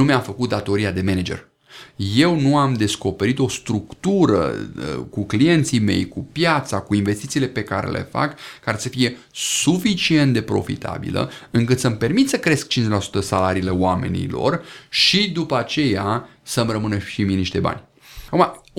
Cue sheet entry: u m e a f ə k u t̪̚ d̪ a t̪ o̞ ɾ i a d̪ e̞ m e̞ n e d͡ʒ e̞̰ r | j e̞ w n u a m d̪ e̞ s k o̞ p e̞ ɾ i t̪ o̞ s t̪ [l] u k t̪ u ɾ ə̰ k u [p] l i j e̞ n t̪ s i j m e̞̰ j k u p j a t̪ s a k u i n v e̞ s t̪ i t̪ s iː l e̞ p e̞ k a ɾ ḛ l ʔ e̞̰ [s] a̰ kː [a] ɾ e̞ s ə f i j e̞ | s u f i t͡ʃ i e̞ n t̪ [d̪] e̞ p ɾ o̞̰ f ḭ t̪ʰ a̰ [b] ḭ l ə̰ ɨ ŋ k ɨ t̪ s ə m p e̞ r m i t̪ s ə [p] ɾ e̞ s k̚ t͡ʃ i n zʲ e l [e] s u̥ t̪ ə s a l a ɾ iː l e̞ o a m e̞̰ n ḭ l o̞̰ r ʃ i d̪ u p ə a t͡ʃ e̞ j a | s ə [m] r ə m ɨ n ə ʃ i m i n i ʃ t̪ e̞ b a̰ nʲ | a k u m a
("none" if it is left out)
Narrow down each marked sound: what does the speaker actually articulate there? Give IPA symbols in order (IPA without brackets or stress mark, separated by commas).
ɾ, k, f, a, d̪, b, k, a, m